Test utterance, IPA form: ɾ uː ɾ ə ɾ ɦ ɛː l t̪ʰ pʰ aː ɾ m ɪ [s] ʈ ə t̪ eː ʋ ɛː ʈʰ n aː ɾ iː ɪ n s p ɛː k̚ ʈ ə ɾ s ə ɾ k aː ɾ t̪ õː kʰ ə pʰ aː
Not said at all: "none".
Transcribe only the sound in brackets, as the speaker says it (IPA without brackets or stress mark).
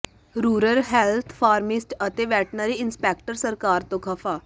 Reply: s